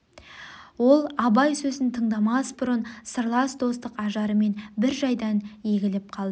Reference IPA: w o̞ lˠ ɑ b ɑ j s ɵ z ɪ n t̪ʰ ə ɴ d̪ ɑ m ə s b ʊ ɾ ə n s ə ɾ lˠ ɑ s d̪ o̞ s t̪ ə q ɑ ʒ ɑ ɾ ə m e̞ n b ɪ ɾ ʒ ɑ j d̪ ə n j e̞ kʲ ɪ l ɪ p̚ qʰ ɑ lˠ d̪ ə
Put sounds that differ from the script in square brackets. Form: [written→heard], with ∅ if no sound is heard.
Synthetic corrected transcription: w o̞ lˠ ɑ b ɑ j s ɵ z ɪ n t̪ʰ ə ɴ d̪ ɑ m [ə→ɑ] s b ʊ ɾ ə n s ə ɾ lˠ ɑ s d̪ o̞ s t̪ ə q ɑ ʒ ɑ ɾ ə m e̞ n b ɪ ɾ ʒ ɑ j d̪ [ə→ɑ] n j e̞ [kʲ→ɡʲ] ɪ l ɪ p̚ qʰ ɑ lˠ d̪ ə